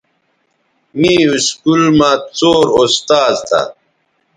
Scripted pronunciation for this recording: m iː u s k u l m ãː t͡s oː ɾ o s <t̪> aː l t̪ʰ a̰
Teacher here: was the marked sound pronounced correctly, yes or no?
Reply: yes